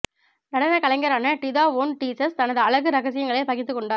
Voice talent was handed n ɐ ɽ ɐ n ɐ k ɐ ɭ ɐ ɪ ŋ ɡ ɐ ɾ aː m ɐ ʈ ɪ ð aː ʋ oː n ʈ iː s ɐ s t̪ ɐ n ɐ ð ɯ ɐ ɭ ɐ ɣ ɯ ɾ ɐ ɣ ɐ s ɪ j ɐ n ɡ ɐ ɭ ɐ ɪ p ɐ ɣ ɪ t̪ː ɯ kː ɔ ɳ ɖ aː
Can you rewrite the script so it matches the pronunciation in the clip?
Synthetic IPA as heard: n ɐ ɽ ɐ n ɐ k ɐ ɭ ɐ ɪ ŋ ɡ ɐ ɾ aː n ɐ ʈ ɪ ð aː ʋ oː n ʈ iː s ɐ s t̪ ɐ n ɐ ð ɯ ɐ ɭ ɐ ɣ ɯ ɾ ɐ ɣ ɐ s ɪ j ɐ ŋ ɡ ɐ ɭ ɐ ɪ p ɐ ɣ ɪ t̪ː ɯ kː ɔ ɳ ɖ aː